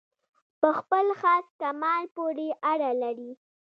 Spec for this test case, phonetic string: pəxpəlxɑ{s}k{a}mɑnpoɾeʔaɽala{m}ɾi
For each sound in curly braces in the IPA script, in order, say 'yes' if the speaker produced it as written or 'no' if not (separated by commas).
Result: yes, yes, no